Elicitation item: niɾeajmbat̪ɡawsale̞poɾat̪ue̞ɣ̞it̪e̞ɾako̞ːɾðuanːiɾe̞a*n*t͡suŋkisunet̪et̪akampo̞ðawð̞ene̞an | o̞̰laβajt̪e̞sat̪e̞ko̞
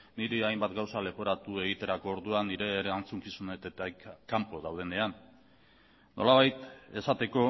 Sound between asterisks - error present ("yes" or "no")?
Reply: no